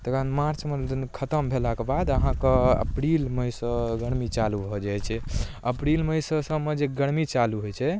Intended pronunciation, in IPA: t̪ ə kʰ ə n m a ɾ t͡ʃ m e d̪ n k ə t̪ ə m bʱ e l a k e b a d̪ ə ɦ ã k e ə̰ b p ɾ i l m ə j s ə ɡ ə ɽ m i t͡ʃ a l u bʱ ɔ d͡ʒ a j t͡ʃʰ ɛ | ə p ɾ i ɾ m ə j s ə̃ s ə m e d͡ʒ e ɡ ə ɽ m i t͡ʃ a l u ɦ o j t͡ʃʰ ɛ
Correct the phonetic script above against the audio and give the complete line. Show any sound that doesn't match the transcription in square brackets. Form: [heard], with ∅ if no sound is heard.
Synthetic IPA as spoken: t̪ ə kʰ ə n m a ɾ t͡ʃ m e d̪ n [kʰ] ə t̪ ə m bʱ e l a k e b a d̪ ə ɦ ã k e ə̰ [∅] p ɾ i l m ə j s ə ɡ ə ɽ m i t͡ʃ a l u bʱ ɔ d͡ʒ a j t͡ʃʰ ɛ | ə p ɾ i [l] m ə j s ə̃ s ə m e d͡ʒ e ɡ ə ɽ m i t͡ʃ a l u ɦ o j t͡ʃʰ ɛ

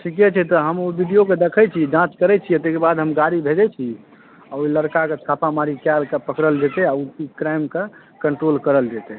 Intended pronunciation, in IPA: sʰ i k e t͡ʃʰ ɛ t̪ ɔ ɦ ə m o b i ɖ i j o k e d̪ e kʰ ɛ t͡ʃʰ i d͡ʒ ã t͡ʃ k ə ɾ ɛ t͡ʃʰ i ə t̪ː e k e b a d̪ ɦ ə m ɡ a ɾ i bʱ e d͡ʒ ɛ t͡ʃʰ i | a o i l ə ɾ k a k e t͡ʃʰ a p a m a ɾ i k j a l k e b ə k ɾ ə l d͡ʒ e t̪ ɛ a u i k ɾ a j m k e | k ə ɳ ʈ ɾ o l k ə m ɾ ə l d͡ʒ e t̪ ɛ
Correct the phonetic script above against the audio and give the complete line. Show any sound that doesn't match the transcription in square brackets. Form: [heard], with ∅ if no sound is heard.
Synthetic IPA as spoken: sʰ i k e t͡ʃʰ ɛ t̪ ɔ ɦ ə m o b i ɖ i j o k e d̪ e kʰ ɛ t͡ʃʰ i d͡ʒ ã t͡ʃ k ə ɾ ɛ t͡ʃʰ i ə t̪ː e k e b a d̪ ɦ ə m ɡ a ɾ i bʱ e d͡ʒ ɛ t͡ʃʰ i | a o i l ə ɾ k a k e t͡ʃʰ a p a m a ɾ i k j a l k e [p] ə k ɾ ə l d͡ʒ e t̪ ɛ a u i k ɾ a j m k e | k ə ɳ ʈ ɾ o l k ə [∅] ɾ ə l d͡ʒ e t̪ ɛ

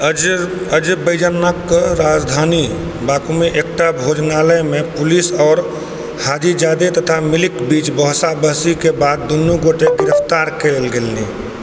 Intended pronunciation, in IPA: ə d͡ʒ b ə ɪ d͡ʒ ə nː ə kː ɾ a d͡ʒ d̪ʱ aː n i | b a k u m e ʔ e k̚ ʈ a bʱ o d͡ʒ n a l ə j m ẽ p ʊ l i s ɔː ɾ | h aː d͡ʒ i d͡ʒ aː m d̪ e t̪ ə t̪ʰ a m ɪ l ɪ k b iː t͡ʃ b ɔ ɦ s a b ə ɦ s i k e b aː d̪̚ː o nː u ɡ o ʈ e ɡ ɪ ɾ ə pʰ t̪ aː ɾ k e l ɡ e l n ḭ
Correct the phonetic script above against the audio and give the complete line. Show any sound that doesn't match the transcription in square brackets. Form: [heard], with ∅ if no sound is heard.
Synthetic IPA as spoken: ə d͡ʒ b ə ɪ d͡ʒ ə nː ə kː ɾ a d͡ʒ d̪ʱ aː n i | b a k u m e ʔ e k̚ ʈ a bʱ o d͡ʒ n a l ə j m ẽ p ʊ l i s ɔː ɾ | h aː d͡ʒ i d͡ʒ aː [∅] d̪ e t̪ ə t̪ʰ a m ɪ l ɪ k b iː t͡ʃ b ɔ ɦ s a b ə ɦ s i k e b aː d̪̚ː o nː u ɡ o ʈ e ɡ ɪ ɾ ə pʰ t̪ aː ɾ k e l ɡ e l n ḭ

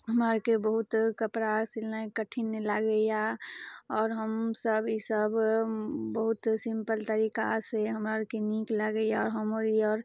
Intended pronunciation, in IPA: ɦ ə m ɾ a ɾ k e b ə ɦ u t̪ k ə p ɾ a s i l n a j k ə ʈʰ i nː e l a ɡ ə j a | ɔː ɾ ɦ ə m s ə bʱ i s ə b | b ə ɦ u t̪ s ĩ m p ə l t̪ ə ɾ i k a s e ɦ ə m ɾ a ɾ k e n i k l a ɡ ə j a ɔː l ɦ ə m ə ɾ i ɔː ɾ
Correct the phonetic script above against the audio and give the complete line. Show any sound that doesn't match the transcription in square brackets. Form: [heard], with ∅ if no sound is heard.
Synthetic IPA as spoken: ɦ ə m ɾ a ɾ k e b ə ɦ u t̪ k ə p ɾ a s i l n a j k ə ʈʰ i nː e l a ɡ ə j a | ɔː ɾ ɦ ə m s ə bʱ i s ə b | b ə ɦ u t̪ s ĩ m p ə l t̪ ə ɾ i k a s e ɦ ə m ɾ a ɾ k e n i k l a ɡ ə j a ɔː [ɾ] ɦ ə m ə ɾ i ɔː ɾ

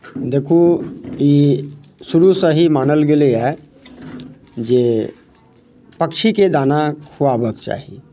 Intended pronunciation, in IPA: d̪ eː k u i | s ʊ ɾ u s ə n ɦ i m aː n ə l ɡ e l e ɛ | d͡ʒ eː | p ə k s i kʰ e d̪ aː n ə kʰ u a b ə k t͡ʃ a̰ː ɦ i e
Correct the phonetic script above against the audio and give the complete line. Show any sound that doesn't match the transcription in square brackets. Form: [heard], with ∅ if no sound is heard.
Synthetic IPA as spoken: d̪ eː [kʰ] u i | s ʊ ɾ u s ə [∅] ɦ i m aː n ə l ɡ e l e ɛ | d͡ʒ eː | p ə k [ʃ] i [k] e d̪ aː n [a] kʰ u a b ə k t͡ʃ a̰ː ɦ i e

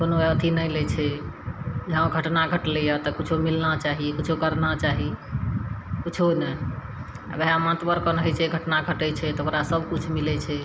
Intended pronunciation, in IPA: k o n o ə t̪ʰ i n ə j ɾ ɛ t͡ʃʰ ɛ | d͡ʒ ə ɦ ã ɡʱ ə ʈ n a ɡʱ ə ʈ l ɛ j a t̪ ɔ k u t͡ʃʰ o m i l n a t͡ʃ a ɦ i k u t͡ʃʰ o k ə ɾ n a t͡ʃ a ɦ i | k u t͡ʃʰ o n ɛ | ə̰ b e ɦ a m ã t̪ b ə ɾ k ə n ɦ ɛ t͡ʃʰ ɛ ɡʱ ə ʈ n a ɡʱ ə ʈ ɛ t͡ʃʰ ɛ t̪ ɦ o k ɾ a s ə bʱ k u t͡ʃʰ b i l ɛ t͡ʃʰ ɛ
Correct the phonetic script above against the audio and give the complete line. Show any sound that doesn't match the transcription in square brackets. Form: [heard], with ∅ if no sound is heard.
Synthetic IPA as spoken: k o n o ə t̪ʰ i n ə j [l] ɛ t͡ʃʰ ɛ | d͡ʒ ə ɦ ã ɡʱ ə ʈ n a ɡʱ ə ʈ l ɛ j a t̪ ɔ k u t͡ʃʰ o m i l n a t͡ʃ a ɦ i k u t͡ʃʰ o k ə ɾ n a t͡ʃ a ɦ i | k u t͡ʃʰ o n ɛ | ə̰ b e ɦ a m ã t̪ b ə ɾ k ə n ɦ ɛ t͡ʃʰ ɛ ɡʱ ə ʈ n a ɡʱ ə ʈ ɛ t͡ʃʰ ɛ t̪ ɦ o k ɾ a s ə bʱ k u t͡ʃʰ [m] i l ɛ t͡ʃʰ ɛ

